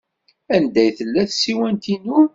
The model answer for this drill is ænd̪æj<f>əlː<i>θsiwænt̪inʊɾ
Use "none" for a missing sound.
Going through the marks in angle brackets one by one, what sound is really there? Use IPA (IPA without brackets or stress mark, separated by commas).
θ, æ